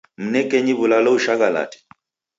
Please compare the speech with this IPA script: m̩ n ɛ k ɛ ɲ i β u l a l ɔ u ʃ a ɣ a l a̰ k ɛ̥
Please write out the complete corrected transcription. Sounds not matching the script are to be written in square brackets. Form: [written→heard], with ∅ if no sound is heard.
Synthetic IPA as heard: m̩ n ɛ k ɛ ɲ i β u l a l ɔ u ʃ a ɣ a l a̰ [k→t] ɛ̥